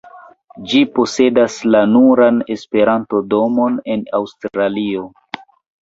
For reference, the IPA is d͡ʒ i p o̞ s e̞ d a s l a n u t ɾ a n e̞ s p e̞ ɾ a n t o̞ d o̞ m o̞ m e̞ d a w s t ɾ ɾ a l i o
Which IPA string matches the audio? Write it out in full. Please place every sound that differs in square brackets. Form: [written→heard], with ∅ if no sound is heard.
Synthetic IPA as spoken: d͡ʒ i p o̞ s e̞ d a s l a n u [t→∅] ɾ a n e̞ s p e̞ ɾ a n t o̞ d o̞ m o̞ [m→n] e̞ [d→n] a w s t ɾ ɾ a l i o